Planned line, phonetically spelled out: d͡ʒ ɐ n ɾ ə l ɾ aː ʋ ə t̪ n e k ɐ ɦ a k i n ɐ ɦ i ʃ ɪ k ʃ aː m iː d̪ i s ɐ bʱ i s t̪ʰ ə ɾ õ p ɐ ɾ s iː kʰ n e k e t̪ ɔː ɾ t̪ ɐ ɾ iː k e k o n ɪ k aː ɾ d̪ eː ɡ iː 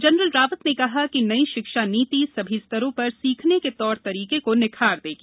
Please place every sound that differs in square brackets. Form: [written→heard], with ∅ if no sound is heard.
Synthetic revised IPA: d͡ʒ ɐ n ɾ ə l ɾ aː ʋ ə t̪ n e k ɐ ɦ a k i n ɐ [ɦ→∅] i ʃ ɪ k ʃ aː [m→n] iː [d̪→t̪] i s ɐ bʱ i s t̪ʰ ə ɾ õ p ɐ ɾ s iː kʰ n e k e t̪ ɔː ɾ t̪ ɐ ɾ iː k e k o n ɪ [k→kʰ] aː ɾ d̪ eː ɡ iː